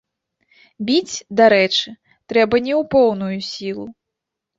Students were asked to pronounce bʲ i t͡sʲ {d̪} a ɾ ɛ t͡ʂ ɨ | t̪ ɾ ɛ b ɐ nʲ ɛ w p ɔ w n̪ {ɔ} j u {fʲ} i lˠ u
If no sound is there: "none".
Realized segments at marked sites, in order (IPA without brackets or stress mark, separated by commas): d̪, u, sʲ